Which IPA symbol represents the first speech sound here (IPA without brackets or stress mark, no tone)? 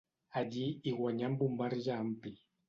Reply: a